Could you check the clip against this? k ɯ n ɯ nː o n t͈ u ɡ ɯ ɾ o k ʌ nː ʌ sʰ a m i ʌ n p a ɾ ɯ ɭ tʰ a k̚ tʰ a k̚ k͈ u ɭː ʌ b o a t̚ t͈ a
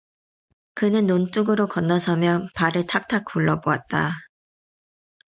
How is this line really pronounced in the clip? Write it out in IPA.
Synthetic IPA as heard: k ɯ n ɯ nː o n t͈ u ɡ ɯ ɾ o k ʌ nː ʌ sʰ ʌ m j ʌ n p a ɾ ɯ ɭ tʰ a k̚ tʰ a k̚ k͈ u ɭː ʌ b o a t̚ t͈ a

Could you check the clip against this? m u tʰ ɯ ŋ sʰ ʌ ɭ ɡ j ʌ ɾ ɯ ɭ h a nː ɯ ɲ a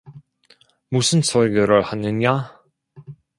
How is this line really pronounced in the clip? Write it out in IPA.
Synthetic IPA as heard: m u sʰ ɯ n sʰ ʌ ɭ ɡ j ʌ ɾ ɯ ɭ h a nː ɯ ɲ a

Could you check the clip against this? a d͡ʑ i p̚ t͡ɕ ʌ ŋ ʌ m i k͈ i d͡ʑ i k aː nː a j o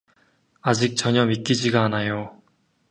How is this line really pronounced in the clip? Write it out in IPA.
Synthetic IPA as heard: a d͡ʑ i k̚ t͡ɕ ʌ ɲ ʌ m i k͈ i d͡ʑ i ɡ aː n a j o

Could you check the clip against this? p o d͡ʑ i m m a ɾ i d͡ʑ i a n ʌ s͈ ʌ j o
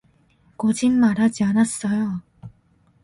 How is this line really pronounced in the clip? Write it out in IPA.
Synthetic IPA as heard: k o d͡ʑ i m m a ɾ a d͡ʑ i a n a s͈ ʌ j o

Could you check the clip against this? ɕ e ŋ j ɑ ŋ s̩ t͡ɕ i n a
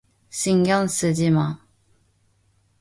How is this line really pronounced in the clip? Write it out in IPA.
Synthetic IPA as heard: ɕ i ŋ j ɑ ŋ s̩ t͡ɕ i m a

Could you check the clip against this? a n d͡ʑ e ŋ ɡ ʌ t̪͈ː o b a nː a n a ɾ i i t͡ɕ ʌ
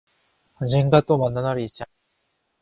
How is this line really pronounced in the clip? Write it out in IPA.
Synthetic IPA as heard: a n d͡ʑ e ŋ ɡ a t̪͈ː o m a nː a n a ɾ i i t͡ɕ a

